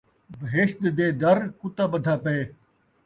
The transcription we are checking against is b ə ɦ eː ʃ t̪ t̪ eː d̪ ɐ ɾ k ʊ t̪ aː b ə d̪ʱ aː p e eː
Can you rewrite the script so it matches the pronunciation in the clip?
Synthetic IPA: b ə ɦ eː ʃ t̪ d̪ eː d̪ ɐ ɾ k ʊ t̪ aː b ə d̪ʱ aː p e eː